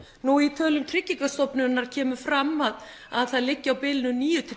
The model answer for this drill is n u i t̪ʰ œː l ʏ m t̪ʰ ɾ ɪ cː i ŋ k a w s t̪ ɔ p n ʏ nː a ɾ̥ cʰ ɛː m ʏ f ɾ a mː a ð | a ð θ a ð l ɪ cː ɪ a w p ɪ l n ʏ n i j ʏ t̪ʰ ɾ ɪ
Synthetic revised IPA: n u i t̪ʰ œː l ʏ m t̪ʰ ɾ ɪ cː i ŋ k a s t̪ ɔ p n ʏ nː a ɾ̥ cʰ ɛː m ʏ f ɾ a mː a ð | a ð θ a ð l ɪ cː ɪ a w p ɪ l n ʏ n iː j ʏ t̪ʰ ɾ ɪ